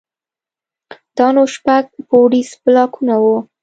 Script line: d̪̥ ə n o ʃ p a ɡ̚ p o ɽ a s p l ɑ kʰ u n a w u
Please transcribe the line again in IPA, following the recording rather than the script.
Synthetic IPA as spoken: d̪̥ ɑ n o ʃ p a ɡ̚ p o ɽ i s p l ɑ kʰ u n a w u